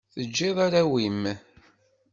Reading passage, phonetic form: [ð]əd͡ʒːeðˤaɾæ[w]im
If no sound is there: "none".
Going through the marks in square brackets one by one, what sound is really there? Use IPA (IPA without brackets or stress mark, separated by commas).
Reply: θ, w